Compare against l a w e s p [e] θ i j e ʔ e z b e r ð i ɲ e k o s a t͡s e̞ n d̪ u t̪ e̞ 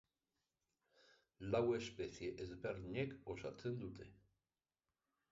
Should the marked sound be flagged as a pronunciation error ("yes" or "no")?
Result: no